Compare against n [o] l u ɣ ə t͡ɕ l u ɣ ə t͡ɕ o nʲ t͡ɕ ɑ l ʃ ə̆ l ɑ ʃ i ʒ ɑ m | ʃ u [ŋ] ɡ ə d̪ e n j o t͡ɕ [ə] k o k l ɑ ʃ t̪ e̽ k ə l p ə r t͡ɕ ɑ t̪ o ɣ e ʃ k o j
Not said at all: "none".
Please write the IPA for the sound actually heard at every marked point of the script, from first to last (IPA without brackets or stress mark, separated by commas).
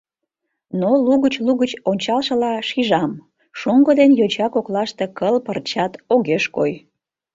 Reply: o, ŋ, ɑ